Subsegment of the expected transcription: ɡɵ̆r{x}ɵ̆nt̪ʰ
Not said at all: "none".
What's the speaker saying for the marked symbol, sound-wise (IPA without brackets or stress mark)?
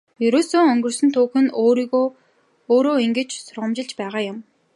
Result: s